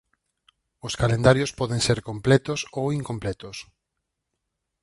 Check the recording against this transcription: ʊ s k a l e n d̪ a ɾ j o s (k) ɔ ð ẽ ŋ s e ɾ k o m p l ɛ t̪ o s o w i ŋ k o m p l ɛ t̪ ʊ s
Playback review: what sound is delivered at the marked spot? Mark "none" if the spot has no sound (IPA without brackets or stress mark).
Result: p